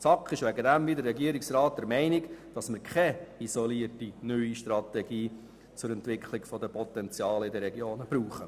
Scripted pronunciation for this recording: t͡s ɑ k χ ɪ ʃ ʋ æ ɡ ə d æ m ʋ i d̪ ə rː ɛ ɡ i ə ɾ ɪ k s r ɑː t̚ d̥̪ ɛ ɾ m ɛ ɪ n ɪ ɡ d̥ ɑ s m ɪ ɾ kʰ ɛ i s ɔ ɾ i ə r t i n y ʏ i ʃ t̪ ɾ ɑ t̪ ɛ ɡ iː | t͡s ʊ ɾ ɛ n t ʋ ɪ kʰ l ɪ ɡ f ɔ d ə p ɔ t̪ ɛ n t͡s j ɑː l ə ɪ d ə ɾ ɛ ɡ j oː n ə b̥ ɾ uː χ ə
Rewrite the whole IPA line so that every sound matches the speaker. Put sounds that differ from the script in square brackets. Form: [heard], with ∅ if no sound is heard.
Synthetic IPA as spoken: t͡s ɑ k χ ɪ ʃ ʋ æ ɡ ə d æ m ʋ i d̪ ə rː ɛ ɡ i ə ɾ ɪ k s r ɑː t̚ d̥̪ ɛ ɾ m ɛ ɪ n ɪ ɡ d̥ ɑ s m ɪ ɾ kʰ ɛ i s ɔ [l] i ə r t i n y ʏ i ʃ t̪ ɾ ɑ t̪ ɛ ɡ iː | t͡s ʊ ɾ ɛ n t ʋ ɪ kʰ l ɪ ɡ f ɔ d ə p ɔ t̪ ɛ n t͡s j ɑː l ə ɪ d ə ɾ ɛ ɡ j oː n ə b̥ ɾ uː χ ə